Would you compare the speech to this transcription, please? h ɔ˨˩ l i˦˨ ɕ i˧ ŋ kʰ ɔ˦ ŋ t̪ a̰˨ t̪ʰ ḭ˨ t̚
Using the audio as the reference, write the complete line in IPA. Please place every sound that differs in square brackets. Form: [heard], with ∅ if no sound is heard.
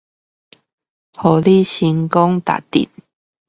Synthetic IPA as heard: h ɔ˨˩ l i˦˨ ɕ i˧ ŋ [k] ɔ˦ ŋ t̪ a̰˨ [t̪] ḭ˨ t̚